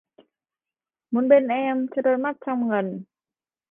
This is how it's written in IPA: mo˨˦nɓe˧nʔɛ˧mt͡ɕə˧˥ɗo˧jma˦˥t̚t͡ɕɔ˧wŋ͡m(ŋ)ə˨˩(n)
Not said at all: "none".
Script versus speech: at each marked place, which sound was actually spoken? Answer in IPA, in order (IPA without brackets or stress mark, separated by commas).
ŋ, n